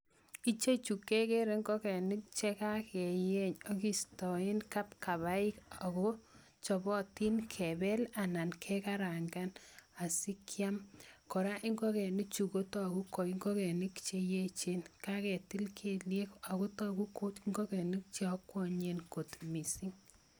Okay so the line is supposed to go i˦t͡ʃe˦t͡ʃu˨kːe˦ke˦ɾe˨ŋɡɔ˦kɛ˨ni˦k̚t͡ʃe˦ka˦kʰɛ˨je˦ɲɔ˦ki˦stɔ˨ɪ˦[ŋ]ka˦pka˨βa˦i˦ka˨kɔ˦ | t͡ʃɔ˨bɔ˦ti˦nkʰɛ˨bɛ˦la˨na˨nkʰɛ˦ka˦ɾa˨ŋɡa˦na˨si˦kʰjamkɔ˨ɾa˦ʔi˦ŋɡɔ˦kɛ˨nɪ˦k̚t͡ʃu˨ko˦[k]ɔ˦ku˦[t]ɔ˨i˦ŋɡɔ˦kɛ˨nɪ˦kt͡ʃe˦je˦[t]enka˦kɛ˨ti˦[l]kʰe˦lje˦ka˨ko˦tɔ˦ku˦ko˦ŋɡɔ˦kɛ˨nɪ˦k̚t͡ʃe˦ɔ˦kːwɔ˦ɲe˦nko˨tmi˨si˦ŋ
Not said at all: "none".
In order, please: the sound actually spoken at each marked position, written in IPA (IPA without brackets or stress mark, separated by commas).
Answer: n, t, k, t͡ʃ, l